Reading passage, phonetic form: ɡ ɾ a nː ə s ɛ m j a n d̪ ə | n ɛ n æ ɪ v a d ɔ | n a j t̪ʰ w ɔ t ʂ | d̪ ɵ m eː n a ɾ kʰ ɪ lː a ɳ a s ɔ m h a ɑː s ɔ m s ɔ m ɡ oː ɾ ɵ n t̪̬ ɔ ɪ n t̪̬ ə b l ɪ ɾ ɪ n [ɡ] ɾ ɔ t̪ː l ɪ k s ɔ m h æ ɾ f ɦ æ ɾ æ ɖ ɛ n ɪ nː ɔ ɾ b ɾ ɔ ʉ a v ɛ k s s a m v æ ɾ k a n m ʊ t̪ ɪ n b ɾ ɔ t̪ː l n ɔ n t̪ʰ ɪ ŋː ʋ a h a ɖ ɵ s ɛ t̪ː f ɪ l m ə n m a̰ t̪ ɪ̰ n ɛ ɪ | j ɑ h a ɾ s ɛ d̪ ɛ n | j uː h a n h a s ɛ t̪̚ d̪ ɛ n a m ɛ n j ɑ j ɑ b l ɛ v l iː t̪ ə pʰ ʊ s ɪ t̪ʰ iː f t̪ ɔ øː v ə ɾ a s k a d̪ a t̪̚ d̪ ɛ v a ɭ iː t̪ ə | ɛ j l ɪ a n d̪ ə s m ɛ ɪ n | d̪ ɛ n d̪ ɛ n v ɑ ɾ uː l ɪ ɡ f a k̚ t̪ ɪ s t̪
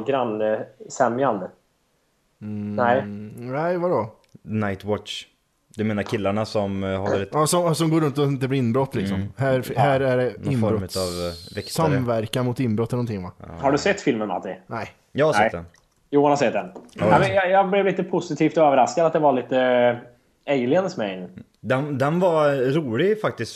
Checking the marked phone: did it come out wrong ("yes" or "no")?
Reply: yes